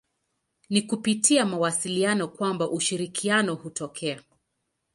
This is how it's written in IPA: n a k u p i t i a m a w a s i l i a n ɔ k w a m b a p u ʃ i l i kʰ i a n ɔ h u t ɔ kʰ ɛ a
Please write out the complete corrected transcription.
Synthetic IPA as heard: n i k u p i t i a m a w a s i l i a n ɔ k w a m b a ʔ u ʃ i ɾ i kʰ i a n ɔ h u t ɔ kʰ ɛ a